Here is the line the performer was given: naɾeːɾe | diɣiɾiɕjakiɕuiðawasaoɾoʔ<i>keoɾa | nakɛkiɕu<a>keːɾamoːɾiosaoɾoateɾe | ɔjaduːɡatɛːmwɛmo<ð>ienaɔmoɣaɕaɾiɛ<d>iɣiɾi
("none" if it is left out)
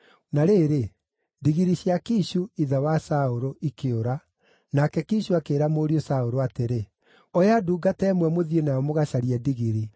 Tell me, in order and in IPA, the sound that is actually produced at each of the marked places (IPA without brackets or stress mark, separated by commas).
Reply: i, a, ð, d